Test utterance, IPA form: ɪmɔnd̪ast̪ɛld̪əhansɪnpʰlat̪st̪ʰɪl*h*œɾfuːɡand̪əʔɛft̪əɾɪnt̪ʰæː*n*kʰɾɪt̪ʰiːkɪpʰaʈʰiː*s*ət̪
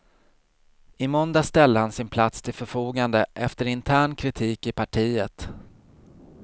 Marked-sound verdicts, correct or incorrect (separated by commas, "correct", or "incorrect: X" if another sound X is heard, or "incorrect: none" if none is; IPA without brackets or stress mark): incorrect: f, incorrect: ɳ, incorrect: none